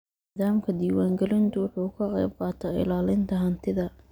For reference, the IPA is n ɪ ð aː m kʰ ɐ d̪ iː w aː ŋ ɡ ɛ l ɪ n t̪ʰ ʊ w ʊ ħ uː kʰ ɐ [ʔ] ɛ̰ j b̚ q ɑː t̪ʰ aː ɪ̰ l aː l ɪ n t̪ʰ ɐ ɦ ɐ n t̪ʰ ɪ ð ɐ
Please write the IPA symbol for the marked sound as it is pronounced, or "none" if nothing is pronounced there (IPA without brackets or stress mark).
q